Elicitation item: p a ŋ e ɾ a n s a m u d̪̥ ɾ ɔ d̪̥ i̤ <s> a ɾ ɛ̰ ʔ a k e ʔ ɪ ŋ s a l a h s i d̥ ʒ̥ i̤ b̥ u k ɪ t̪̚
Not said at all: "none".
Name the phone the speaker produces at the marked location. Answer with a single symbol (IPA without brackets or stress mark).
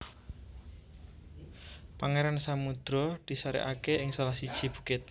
s